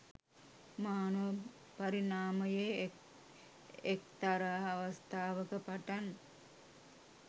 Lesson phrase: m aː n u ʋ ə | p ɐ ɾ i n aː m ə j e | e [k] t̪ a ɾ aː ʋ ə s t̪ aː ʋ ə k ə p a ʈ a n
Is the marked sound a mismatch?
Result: no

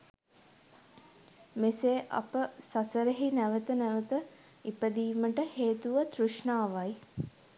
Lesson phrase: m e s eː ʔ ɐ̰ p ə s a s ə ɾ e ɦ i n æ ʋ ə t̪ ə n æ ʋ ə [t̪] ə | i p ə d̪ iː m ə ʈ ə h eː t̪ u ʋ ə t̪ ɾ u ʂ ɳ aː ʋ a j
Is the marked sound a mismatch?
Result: no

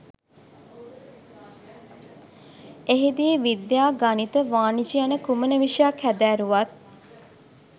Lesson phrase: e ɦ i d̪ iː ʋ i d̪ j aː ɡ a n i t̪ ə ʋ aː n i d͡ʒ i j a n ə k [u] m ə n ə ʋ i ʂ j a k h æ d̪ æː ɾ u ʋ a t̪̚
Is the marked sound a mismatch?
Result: no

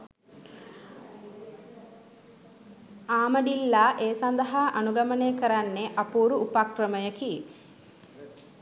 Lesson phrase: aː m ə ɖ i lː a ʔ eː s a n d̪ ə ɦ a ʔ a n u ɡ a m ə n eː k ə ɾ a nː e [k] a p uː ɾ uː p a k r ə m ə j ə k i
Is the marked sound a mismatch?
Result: yes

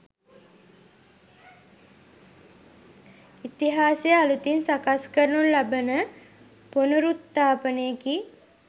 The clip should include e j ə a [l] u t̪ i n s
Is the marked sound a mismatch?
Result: no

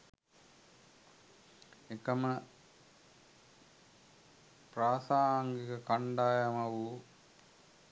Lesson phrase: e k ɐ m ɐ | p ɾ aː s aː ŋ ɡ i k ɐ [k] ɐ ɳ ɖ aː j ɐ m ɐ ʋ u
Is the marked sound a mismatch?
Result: no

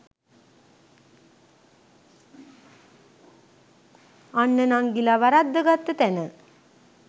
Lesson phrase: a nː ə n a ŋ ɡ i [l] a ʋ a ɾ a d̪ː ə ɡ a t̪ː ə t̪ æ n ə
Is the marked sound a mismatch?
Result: no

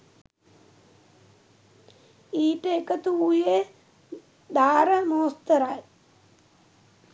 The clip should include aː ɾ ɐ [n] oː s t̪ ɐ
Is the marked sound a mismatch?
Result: yes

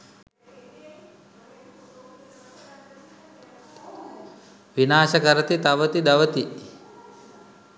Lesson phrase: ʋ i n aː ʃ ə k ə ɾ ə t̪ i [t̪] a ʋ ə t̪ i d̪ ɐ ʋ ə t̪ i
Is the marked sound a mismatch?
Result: no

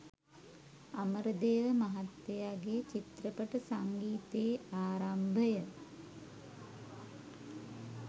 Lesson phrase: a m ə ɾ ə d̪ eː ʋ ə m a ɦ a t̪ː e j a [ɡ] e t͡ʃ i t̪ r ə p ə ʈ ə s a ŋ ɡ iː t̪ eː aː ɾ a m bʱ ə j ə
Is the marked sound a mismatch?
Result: no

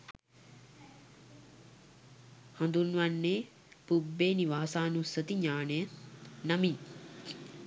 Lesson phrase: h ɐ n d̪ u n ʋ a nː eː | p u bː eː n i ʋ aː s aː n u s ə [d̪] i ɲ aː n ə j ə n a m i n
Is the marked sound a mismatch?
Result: yes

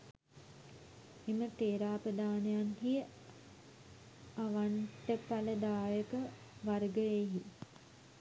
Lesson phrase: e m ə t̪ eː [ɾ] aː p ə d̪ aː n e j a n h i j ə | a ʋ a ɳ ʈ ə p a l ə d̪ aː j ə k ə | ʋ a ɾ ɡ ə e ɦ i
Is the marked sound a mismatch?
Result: no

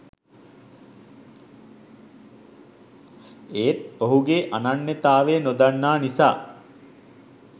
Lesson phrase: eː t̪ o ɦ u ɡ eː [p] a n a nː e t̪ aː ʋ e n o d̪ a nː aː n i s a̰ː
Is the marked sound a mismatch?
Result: yes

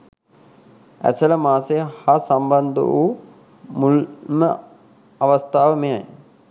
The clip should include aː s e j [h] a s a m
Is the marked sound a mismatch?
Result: no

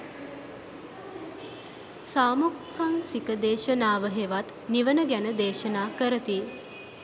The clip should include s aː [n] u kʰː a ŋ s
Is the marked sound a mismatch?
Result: yes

